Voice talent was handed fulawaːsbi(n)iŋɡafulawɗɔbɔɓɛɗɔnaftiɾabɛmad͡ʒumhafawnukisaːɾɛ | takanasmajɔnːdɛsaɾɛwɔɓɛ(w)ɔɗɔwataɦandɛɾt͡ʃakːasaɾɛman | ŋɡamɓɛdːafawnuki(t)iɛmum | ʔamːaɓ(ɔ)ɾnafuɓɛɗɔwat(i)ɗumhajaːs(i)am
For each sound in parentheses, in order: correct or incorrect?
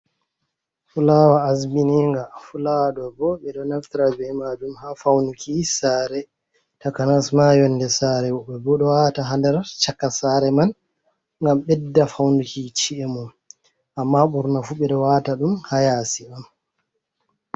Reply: correct, incorrect, incorrect, incorrect, incorrect, correct

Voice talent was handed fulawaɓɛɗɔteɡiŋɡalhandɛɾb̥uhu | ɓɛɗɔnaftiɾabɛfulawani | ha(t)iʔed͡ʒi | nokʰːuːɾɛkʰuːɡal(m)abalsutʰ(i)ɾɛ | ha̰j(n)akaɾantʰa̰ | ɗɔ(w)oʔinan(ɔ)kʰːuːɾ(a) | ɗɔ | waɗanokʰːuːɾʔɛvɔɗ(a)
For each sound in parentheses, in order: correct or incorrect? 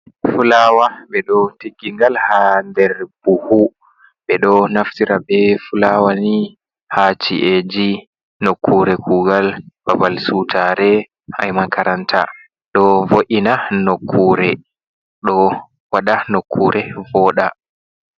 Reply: incorrect, incorrect, incorrect, incorrect, incorrect, incorrect, incorrect, correct

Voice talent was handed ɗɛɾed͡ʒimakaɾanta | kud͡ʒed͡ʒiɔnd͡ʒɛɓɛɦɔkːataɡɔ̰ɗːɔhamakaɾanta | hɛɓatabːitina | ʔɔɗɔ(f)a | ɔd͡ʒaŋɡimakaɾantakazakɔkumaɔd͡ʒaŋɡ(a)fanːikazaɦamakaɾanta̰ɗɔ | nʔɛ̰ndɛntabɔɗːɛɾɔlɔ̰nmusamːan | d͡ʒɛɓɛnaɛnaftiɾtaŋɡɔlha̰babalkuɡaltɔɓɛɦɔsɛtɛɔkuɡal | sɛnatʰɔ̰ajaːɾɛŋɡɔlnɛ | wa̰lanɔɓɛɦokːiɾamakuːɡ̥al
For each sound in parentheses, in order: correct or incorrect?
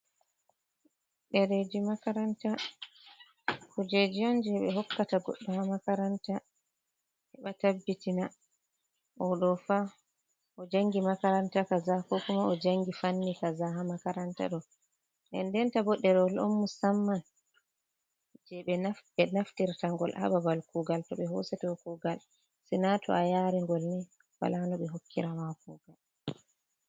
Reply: correct, incorrect

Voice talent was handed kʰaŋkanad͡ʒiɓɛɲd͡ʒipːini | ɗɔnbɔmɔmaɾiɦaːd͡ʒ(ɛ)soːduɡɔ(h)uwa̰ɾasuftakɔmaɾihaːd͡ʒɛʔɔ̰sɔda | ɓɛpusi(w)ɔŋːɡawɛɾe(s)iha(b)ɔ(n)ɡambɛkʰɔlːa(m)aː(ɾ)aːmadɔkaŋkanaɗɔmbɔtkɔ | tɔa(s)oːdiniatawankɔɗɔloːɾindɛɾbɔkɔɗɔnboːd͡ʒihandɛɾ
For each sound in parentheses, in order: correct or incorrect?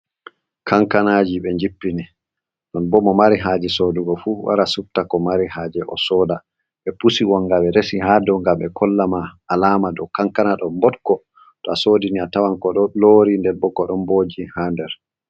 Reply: correct, incorrect, correct, correct, incorrect, incorrect, correct, incorrect, correct

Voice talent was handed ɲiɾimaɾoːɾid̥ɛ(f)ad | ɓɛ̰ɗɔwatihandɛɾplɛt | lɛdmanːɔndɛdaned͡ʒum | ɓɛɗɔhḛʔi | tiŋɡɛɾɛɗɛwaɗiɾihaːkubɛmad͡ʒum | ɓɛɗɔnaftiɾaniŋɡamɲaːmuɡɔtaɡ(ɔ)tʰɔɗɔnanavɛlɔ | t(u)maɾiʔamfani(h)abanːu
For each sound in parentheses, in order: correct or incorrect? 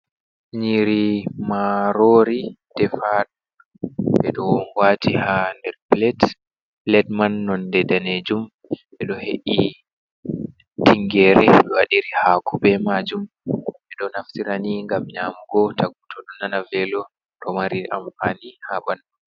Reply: correct, incorrect, incorrect, correct

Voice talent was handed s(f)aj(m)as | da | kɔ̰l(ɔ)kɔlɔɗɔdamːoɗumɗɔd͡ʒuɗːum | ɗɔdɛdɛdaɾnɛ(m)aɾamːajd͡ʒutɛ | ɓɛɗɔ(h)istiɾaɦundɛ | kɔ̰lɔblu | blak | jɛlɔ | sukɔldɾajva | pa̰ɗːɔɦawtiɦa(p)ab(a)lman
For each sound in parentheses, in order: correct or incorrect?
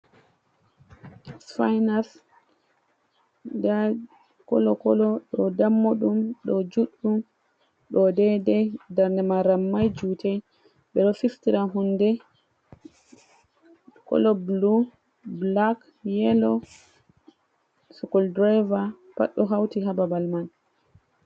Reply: correct, incorrect, correct, correct, incorrect, incorrect, correct

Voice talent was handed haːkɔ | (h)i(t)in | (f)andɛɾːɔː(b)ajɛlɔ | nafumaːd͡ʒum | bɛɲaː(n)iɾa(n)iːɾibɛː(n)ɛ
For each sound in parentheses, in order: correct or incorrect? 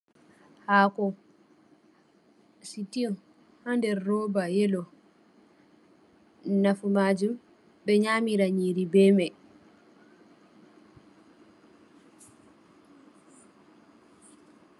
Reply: incorrect, correct, incorrect, correct, incorrect, incorrect, incorrect

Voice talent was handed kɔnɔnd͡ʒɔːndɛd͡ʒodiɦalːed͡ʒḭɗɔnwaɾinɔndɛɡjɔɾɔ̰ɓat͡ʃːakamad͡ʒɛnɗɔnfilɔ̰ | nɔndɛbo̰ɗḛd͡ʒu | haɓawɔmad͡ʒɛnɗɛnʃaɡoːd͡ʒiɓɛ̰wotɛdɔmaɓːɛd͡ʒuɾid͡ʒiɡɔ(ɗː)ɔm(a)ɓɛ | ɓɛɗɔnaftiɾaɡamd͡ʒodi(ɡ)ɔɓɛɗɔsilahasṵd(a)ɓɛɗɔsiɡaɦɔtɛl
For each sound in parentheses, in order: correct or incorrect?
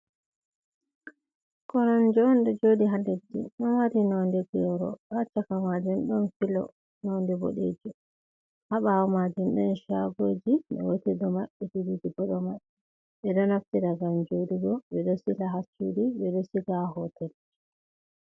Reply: incorrect, correct, correct, incorrect

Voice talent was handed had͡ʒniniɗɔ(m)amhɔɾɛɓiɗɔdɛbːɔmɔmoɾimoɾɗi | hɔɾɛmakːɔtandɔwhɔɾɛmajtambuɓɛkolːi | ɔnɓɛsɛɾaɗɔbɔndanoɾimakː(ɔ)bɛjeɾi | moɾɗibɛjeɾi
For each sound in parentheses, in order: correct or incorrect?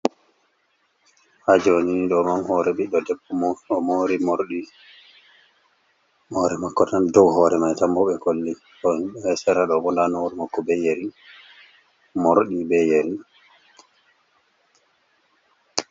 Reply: correct, correct

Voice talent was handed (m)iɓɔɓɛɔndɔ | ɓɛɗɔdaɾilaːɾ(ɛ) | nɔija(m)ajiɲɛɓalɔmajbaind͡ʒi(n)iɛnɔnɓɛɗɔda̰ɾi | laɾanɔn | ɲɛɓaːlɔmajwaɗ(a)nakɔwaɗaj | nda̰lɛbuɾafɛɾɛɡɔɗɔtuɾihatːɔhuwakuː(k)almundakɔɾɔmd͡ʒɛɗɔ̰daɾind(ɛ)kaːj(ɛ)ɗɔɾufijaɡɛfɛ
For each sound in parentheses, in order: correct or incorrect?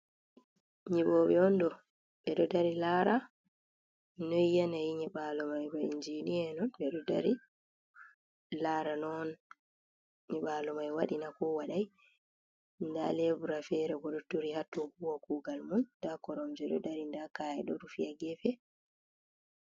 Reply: incorrect, incorrect, incorrect, correct, incorrect, incorrect, incorrect, correct

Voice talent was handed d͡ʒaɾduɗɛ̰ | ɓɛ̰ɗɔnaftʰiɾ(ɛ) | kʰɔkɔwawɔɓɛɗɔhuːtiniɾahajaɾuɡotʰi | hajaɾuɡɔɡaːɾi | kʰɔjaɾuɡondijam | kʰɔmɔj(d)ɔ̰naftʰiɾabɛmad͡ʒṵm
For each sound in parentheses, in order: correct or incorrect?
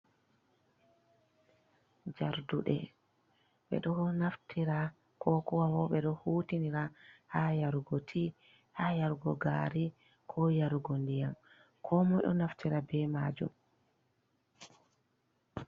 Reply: incorrect, incorrect

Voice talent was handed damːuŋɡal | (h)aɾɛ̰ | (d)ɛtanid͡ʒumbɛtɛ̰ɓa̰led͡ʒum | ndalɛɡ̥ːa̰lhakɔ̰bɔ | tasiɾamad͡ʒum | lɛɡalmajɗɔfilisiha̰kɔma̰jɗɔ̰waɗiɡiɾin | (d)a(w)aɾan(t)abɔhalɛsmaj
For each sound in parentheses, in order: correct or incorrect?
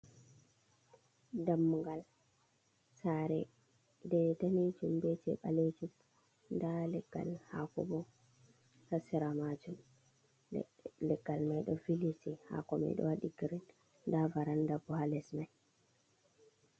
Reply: incorrect, correct, correct, incorrect, incorrect

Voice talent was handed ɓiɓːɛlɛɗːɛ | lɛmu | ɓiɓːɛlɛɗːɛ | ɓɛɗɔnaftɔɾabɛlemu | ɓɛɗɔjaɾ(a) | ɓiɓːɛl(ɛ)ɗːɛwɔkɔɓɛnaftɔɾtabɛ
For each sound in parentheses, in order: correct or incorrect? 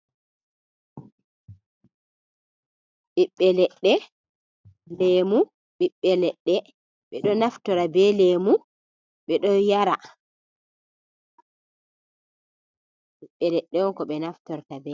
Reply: correct, correct

